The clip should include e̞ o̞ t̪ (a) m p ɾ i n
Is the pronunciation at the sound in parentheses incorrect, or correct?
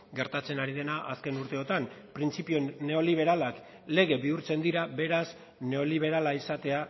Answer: correct